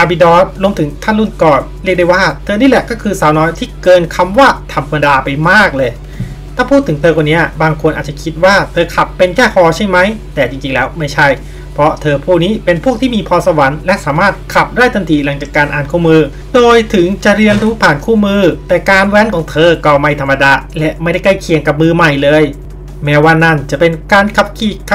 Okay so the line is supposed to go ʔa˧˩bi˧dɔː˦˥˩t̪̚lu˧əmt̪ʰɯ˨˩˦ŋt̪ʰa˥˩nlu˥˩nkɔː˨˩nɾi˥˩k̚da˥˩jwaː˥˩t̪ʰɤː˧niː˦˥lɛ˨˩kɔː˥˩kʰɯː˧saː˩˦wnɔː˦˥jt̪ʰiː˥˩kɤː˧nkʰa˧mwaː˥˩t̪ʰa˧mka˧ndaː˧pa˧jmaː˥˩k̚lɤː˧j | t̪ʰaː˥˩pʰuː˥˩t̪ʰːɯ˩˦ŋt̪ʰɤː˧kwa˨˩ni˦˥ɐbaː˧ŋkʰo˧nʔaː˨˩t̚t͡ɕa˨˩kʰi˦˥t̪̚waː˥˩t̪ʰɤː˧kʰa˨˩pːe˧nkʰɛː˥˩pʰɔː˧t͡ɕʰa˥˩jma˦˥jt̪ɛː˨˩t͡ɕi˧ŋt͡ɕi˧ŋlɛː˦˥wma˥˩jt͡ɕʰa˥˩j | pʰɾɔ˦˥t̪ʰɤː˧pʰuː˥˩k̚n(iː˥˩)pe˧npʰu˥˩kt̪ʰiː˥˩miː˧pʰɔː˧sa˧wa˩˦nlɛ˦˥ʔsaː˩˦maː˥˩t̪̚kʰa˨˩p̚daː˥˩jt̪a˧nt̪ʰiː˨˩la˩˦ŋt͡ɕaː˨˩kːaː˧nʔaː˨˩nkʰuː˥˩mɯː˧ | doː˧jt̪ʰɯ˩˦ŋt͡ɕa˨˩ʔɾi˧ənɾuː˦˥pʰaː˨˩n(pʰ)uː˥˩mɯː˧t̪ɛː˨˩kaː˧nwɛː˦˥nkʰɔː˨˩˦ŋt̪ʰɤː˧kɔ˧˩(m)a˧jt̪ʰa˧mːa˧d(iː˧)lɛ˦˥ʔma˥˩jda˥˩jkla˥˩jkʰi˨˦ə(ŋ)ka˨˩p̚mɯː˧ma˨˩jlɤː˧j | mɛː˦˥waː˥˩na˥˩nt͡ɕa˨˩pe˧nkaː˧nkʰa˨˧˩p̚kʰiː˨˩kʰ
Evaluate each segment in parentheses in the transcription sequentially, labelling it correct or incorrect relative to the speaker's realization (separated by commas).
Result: incorrect, incorrect, correct, incorrect, correct